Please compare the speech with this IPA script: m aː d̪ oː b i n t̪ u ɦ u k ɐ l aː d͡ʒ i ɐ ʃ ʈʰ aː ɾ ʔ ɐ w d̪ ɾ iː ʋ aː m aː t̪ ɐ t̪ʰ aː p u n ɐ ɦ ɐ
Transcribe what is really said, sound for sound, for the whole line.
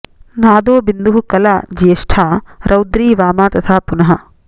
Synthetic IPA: n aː d̪ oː b i n d̪ u ɦ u k ɐ l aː d͡ʒ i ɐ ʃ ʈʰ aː ɾ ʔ ɐ w d̪ ɾ iː ʋ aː m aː t̪ ɐ t̪ʰ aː p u n ɐ ɦ ɐ